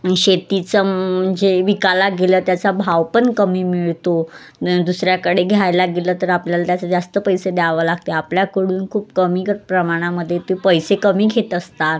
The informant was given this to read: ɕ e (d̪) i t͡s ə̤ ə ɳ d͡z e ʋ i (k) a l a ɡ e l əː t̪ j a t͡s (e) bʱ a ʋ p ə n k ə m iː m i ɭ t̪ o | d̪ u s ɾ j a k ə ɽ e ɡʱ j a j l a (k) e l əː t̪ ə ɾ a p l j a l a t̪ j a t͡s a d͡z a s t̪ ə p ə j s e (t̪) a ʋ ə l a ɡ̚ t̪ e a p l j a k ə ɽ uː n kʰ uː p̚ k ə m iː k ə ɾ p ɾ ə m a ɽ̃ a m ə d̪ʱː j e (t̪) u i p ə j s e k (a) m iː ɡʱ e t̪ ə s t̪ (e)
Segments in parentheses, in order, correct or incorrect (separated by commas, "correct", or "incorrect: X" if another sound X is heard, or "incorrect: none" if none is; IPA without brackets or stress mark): incorrect: t̪, correct, incorrect: a, incorrect: ɡ, incorrect: d̪, correct, incorrect: ə, incorrect: a